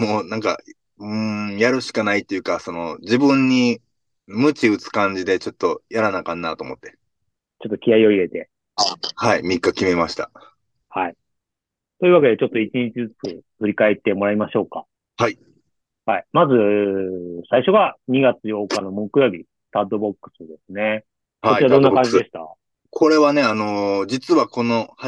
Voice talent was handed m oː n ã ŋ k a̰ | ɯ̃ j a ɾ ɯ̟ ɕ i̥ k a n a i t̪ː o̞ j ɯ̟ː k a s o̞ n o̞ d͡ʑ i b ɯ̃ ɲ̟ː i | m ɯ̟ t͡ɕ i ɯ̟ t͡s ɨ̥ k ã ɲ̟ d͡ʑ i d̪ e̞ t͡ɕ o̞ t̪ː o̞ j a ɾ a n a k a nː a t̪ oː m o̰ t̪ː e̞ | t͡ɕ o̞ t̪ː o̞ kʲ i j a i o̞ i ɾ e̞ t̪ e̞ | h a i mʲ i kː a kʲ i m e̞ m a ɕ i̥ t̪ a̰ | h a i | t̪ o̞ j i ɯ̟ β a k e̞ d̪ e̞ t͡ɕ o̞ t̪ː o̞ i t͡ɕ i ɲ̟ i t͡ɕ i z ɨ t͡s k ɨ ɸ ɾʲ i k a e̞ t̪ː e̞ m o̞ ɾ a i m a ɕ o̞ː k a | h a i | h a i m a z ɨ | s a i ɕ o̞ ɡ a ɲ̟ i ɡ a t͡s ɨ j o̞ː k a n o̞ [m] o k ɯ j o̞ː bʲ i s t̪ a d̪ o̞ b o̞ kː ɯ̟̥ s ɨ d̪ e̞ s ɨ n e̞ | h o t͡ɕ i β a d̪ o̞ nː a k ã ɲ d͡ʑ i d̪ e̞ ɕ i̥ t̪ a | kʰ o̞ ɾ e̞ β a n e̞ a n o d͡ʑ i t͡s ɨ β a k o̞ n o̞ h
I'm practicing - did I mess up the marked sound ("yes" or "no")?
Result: no